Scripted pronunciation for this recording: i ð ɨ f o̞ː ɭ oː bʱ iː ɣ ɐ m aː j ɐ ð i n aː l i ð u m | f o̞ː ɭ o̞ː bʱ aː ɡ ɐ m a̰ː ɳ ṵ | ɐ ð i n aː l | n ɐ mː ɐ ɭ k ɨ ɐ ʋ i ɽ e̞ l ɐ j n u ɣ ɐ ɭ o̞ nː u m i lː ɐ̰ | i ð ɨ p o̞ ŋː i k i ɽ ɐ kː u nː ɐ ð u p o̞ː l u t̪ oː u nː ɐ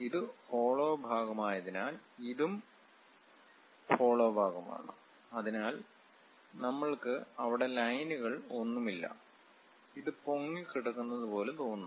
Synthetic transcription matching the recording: i ð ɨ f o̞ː ɭ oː bʱ aː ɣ ɐ m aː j ɐ ð i n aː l i ð u m | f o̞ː ɭ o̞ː bʱ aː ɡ ɐ m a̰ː ɳ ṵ | ɐ ð i n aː l | n ɐ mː ɐ ɭ k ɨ ɐ ʋ i ɽ e̞ l ɐ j n u ɣ ɐ ɭ o̞ nː u m i lː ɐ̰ | i ð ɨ p o̞ ŋː i k i ɽ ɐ kː u nː ɐ ð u p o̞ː l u t̪ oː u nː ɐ